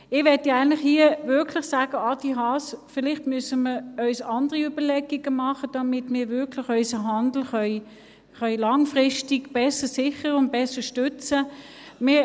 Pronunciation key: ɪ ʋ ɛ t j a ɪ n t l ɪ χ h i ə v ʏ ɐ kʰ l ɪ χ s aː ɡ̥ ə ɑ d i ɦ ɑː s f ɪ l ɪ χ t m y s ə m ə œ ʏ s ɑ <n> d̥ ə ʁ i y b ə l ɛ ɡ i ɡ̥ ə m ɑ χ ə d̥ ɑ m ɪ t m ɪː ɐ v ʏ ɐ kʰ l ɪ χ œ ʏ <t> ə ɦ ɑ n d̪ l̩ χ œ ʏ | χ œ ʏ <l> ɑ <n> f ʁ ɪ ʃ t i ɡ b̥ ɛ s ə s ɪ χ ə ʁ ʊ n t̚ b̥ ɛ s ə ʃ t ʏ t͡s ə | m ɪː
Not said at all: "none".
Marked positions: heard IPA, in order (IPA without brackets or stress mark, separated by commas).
n, s, l, ŋ